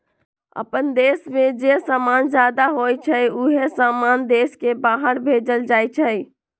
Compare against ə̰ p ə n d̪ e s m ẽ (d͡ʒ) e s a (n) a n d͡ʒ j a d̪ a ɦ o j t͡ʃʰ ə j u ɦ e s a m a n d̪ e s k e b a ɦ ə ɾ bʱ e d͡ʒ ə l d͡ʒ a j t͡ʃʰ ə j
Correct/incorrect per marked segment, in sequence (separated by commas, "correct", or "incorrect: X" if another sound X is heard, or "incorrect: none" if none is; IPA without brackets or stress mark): correct, incorrect: m